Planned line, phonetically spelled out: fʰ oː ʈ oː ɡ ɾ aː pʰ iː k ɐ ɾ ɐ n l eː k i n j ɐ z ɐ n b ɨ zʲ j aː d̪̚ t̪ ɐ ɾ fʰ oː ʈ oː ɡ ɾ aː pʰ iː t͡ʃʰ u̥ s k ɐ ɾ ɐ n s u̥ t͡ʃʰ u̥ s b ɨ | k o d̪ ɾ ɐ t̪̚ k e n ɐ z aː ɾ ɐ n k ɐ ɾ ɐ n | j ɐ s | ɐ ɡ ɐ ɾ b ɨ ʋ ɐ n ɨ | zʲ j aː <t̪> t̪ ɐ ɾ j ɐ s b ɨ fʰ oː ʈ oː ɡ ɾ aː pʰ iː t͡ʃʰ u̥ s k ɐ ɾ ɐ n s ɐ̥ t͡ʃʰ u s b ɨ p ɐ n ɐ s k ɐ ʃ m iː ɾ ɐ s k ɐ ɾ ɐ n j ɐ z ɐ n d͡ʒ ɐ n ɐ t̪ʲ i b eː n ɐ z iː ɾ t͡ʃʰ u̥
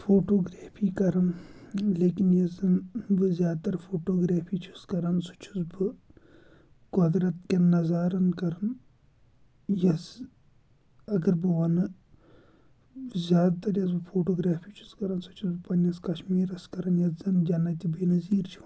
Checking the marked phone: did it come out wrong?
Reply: yes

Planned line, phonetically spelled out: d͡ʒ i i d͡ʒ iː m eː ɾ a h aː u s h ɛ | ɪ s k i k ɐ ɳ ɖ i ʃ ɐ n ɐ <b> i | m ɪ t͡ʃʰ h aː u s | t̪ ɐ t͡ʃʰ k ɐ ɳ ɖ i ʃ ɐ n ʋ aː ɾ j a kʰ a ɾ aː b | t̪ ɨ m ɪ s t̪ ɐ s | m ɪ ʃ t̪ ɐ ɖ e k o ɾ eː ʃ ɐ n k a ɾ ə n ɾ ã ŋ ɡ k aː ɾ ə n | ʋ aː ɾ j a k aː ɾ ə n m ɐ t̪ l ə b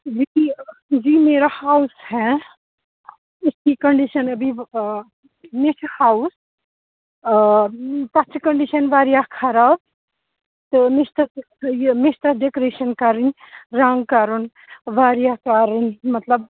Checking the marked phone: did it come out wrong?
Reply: no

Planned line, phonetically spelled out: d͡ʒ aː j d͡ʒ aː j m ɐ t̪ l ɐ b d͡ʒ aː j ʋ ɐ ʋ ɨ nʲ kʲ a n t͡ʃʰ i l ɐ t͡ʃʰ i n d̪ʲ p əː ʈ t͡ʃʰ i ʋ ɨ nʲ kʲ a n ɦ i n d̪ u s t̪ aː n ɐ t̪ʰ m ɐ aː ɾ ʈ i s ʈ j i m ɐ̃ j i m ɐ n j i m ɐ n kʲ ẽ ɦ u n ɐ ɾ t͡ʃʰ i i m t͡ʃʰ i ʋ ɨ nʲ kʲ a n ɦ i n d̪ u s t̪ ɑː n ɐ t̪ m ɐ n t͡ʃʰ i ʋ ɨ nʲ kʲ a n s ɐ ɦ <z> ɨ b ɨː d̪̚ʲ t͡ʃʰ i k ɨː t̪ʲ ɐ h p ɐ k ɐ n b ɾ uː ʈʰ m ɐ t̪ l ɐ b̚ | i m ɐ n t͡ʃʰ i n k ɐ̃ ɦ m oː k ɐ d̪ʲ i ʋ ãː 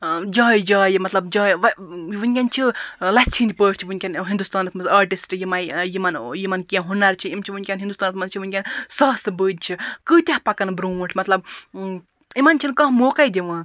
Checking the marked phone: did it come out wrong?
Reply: yes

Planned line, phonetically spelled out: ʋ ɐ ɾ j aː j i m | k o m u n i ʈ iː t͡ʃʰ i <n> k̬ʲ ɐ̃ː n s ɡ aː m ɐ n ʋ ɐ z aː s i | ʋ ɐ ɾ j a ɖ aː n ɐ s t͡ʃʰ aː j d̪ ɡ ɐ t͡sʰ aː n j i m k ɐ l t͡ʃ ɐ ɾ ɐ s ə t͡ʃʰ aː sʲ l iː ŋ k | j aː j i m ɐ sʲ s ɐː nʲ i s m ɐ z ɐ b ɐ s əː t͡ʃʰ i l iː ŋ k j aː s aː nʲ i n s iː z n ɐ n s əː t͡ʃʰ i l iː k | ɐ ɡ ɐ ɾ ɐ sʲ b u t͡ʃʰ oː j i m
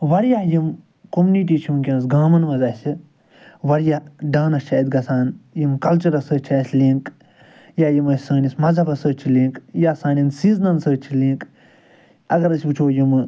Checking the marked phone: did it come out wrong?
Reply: yes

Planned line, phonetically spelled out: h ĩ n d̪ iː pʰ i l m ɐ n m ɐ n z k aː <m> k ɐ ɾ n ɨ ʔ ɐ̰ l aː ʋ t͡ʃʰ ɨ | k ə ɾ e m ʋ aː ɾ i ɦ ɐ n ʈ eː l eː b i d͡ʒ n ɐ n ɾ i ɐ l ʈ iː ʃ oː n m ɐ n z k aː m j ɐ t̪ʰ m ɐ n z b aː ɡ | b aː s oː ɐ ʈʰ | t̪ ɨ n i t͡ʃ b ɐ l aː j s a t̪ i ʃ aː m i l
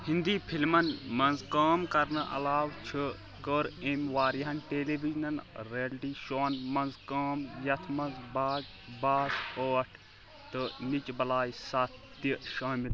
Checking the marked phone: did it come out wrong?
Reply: no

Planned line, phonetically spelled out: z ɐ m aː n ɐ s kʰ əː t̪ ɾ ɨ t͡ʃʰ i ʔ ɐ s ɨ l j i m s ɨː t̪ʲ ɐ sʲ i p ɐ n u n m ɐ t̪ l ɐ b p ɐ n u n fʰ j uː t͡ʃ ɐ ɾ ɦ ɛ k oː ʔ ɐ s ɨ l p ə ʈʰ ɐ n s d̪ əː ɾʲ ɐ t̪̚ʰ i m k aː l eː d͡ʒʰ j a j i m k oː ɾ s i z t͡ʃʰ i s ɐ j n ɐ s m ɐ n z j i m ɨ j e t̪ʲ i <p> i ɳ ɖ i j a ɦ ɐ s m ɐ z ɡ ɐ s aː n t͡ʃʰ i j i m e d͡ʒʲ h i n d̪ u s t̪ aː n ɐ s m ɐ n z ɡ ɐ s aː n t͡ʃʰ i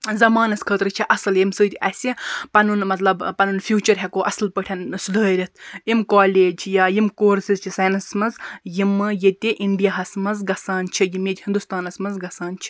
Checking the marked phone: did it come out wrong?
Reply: yes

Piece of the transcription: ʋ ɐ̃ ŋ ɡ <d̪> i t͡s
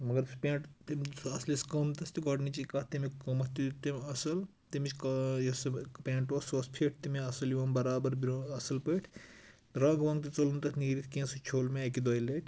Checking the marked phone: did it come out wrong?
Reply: yes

